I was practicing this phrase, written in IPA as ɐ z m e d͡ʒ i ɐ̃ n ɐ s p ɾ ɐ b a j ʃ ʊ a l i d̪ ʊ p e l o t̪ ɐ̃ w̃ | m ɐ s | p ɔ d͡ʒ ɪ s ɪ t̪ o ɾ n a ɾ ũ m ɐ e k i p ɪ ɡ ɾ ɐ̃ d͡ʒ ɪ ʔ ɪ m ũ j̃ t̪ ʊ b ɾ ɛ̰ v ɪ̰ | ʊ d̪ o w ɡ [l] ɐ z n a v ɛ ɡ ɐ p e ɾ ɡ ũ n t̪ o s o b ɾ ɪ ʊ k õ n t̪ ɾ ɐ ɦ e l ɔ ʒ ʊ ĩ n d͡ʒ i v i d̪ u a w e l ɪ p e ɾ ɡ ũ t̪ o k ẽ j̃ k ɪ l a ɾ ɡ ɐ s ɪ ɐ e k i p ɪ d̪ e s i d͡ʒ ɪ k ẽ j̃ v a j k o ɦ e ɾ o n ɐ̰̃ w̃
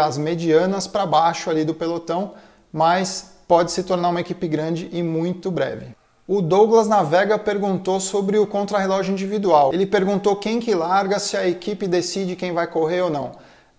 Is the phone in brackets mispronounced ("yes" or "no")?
no